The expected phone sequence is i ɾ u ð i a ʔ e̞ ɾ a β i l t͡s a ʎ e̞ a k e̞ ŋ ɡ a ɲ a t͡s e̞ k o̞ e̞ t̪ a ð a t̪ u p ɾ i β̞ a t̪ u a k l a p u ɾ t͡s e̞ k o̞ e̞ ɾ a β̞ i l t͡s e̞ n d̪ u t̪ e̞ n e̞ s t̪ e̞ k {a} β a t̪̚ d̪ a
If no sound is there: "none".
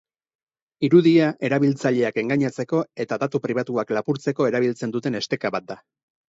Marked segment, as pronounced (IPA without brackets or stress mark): a